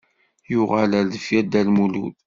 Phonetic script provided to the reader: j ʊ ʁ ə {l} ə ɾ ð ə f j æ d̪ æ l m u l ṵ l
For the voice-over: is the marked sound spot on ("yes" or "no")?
yes